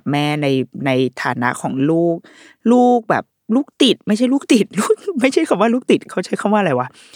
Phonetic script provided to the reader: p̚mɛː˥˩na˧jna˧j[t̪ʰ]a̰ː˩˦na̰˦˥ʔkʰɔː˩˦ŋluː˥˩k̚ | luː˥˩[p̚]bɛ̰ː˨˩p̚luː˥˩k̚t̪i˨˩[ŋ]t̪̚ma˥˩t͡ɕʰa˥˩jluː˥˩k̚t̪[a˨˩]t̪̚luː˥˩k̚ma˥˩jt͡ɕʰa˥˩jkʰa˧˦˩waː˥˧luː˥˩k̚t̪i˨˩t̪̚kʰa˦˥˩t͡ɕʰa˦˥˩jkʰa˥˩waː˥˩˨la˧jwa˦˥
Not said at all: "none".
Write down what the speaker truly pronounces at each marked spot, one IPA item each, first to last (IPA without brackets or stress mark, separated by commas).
t̪ʰ, k̚, none, i˨˩